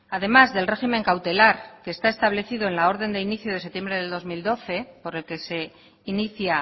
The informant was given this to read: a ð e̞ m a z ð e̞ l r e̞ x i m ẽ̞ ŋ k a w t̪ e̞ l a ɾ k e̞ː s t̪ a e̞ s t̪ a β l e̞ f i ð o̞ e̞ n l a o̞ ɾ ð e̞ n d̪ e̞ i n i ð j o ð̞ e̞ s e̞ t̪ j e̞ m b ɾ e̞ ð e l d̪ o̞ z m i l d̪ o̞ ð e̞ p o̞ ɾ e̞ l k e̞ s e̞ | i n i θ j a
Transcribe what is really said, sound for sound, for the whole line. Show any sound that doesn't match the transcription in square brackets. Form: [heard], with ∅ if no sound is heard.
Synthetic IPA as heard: a ð e̞ m a z ð e̞ l r e̞ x i m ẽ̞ ŋ k a w t̪ e̞ l a ɾ k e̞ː s t̪ a e̞ s t̪ a β l e̞ [θ] i ð o̞ e̞ n l a o̞ ɾ ð e̞ n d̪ e̞ i n i [θ] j o ð̞ e̞ s e̞ t̪ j e̞ m b ɾ e̞ ð e l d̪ o̞ z m i l d̪ o̞ [θ] e̞ p o̞ ɾ e̞ l k e̞ s e̞ | i n i θ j a